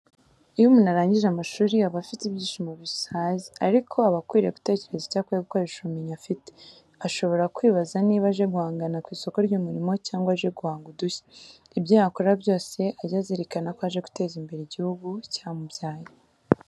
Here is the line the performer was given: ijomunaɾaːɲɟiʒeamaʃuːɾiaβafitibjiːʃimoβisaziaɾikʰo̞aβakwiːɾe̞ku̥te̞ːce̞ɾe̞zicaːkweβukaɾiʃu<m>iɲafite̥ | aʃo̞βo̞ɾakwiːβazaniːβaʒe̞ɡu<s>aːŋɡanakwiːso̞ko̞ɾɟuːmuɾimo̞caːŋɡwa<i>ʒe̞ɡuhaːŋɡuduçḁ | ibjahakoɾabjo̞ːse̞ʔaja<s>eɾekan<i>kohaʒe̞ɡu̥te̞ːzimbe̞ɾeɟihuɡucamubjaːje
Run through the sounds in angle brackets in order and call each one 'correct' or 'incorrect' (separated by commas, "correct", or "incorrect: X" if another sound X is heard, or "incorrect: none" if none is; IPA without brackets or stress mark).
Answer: correct, incorrect: h, incorrect: a, incorrect: z, incorrect: a